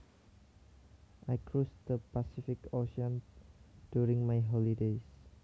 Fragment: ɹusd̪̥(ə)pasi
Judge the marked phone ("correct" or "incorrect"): correct